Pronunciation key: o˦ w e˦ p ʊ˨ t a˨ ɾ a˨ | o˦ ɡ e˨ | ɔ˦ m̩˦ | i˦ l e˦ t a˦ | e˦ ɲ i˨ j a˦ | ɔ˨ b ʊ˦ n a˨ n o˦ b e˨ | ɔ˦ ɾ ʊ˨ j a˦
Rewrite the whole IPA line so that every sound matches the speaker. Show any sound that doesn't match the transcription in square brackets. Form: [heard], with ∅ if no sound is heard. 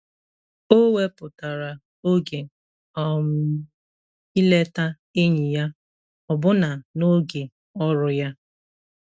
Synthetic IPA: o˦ w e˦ p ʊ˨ t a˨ ɾ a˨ | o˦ ɡ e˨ | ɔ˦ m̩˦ | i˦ l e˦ t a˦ | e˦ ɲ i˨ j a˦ | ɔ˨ b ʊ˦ n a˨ n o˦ [ɡ] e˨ | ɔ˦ ɾ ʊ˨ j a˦